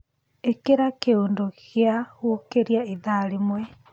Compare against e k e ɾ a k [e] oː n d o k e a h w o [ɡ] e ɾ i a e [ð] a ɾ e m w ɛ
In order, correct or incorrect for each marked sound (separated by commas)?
correct, incorrect, correct